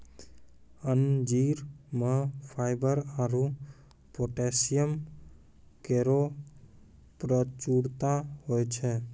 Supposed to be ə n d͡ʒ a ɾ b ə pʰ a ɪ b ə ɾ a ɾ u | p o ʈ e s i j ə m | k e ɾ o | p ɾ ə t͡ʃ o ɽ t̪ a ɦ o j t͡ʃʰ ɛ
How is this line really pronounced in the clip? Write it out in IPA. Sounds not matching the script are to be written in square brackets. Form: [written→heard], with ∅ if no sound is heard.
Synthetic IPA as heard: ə n d͡ʒ [a→i] ɾ [b→m] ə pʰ a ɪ b ə ɾ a ɾ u | p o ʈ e s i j ə m | k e ɾ o | p ɾ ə t͡ʃ [o→u] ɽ t̪ a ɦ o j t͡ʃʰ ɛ

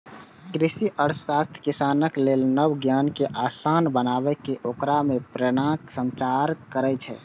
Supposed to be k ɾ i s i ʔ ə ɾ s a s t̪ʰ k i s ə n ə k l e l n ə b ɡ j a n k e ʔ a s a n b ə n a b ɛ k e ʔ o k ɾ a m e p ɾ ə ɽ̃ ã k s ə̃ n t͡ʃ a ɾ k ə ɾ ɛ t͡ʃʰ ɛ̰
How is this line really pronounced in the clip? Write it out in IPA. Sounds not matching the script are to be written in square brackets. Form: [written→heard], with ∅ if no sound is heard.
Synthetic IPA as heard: k ɾ i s i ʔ ə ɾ s a s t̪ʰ k i s [ə→a] n ə k l e l n ə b ɡ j a n k e ʔ a s a n b ə n a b ɛ k e ʔ o k ɾ a m e p ɾ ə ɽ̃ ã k s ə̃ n t͡ʃ a ɾ k ə ɾ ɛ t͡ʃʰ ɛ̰

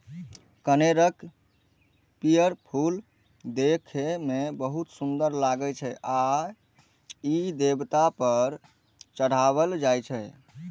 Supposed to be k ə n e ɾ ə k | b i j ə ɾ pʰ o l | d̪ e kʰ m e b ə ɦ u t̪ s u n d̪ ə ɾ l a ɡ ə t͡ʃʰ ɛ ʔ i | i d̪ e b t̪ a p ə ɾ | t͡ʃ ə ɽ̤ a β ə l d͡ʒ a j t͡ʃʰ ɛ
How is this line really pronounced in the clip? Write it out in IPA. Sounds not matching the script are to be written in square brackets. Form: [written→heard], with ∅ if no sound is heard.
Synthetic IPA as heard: k ə n e ɾ ə k | [b→p] i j ə ɾ pʰ [o→u] l | d̪ e kʰ m e b ə ɦ u t̪ s u n d̪ ə ɾ l a ɡ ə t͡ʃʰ ɛ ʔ [i→a] | i d̪ e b t̪ a p ə ɾ | t͡ʃ ə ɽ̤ a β ə l d͡ʒ a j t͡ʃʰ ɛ

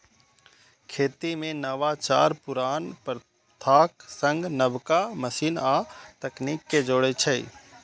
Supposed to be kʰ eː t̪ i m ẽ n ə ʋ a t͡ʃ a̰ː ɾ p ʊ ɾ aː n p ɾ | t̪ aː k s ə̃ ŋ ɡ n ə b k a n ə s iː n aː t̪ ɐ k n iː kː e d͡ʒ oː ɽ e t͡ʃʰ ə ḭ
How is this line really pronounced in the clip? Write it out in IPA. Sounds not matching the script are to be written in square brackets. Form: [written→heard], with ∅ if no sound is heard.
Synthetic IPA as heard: kʰ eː t̪ i m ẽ n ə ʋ a t͡ʃ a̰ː ɾ p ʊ ɾ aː n p ɾ | [t̪→t̪ʰ] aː k s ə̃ ŋ ɡ n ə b k a [n→m] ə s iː n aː t̪ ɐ k n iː kː e d͡ʒ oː ɽ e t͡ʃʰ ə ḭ

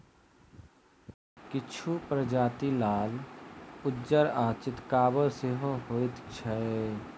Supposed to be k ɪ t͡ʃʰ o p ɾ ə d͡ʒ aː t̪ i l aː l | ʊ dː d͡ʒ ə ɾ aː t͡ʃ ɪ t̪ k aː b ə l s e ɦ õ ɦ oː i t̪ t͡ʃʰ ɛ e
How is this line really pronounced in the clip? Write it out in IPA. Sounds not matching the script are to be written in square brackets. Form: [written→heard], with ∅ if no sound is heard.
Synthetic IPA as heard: k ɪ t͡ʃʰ [o→u] p ɾ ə d͡ʒ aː t̪ i l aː l | ʊ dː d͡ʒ ə ɾ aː t͡ʃ ɪ t̪ k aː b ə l s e ɦ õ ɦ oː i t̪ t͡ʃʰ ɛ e

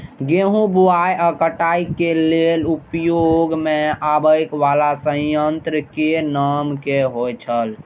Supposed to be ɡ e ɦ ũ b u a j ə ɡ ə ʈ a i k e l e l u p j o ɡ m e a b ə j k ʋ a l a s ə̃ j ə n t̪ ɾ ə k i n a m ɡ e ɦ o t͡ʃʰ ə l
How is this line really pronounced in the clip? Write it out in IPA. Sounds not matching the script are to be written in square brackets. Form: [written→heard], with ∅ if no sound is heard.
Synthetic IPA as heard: ɡ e ɦ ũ b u a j ə [ɡ→k] ə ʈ a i k e l e l u p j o ɡ m e a b ə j k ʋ a l a s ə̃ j ə n t̪ ɾ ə k [i→e] n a m [ɡ→k] e ɦ o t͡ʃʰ ə l

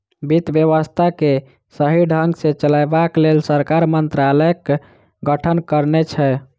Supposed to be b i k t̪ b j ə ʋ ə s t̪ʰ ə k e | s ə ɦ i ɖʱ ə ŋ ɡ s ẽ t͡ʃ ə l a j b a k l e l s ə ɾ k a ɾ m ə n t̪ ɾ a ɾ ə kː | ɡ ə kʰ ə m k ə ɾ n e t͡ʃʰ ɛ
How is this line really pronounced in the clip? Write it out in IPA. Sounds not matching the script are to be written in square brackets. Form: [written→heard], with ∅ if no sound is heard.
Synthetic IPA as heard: b i [k→∅] t̪ b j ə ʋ ə s t̪ʰ [ə→a] k e | s ə ɦ i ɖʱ ə ŋ ɡ s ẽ t͡ʃ ə l a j b a k l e l s ə ɾ k a ɾ m ə n t̪ ɾ a [ɾ→l] ə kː | ɡ ə [kʰ→ʈʰ] ə [m→n] k ə ɾ n e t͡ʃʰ ɛ

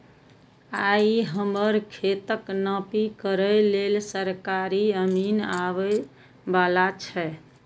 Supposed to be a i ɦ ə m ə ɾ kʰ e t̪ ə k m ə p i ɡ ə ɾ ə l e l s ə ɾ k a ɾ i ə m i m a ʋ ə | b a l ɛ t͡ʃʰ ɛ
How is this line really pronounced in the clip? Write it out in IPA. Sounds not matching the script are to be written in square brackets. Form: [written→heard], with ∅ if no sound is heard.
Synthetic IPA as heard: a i ɦ ə m ə ɾ kʰ e t̪ ə k [m→n] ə p i [ɡ→k] ə ɾ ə l e l s ə ɾ k a ɾ i ə m i [m→n] a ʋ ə | b a l [ɛ→a] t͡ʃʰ ɛ

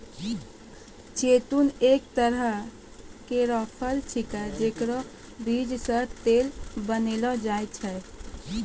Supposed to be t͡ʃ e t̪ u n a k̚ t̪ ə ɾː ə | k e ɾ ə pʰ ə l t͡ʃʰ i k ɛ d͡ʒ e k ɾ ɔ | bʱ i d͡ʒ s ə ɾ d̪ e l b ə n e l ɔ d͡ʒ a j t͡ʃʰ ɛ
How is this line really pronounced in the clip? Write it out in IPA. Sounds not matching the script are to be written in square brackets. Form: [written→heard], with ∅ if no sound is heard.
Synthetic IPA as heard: t͡ʃ e t̪ u n [a→e] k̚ t̪ ə [ɾː→ɾ] ə | k e ɾ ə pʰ ə l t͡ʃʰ i k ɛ d͡ʒ e k ɾ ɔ | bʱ i d͡ʒ s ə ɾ [d̪→t̪] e l b ə n e l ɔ d͡ʒ a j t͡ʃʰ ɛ

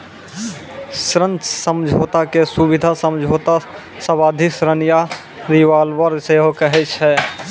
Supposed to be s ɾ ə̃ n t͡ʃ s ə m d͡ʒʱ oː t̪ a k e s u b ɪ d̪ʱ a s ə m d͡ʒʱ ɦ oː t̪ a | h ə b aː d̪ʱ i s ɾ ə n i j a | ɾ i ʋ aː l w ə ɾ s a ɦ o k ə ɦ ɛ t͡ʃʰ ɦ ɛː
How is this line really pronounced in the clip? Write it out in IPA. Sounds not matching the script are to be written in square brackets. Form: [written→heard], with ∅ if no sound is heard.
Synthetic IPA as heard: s ɾ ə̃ n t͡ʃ s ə m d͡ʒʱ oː t̪ a k e s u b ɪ d̪ʱ a s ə m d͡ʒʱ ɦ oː t̪ a | [h→s] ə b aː d̪ʱ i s ɾ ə n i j a | ɾ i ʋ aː l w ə ɾ s [a→e] ɦ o k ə ɦ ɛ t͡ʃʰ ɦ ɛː

